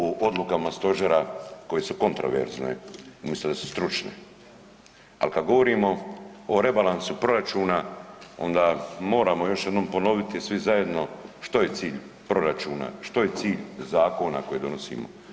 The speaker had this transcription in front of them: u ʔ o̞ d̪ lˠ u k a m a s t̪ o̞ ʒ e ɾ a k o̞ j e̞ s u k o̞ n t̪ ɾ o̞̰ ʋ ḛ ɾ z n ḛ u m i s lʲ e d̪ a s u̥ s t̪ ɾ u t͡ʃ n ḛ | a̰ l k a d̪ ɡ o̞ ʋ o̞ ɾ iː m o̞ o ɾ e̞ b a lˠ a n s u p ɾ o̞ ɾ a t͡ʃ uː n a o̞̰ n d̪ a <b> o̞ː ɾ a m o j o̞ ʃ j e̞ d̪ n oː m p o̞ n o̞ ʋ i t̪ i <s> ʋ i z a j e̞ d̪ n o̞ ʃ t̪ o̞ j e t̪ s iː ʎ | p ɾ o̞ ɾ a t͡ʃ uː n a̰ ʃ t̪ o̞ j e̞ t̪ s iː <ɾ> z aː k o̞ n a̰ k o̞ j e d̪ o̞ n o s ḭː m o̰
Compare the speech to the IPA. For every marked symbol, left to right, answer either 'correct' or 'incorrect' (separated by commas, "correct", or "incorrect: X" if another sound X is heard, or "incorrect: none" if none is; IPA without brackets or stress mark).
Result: incorrect: m, correct, incorrect: ʎ